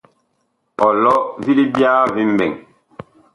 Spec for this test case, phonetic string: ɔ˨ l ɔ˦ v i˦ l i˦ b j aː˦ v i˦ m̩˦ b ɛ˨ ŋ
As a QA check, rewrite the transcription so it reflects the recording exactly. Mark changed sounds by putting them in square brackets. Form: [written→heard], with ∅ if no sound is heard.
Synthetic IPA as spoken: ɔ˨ l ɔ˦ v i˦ l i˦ b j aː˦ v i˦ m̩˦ b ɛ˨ ŋ